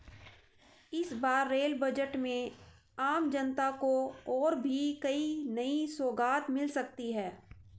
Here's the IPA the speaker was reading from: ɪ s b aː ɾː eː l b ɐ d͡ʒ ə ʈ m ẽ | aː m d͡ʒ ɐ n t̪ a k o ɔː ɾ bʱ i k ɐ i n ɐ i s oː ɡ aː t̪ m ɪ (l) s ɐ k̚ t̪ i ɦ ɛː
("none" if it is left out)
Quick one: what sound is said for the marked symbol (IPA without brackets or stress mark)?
l